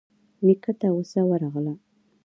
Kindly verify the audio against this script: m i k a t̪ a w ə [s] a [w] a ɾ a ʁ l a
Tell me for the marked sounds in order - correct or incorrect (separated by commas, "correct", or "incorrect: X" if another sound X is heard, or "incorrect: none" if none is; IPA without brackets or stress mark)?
correct, correct